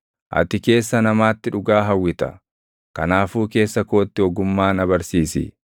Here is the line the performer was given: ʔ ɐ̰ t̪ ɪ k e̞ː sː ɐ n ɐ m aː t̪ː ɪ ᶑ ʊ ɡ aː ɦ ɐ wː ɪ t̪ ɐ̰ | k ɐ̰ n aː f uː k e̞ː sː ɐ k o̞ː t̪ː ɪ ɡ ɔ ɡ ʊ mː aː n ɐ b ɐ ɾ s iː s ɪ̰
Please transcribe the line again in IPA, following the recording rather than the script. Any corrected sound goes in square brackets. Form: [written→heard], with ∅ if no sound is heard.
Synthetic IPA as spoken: ʔ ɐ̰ t̪ ɪ k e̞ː sː ɐ n ɐ m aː t̪ː ɪ ᶑ ʊ ɡ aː ɦ ɐ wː ɪ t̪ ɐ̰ | k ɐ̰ n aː f uː k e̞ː sː ɐ k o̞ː t̪ː ɪ [ɡ→∅] ɔ ɡ ʊ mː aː n ɐ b ɐ ɾ s iː s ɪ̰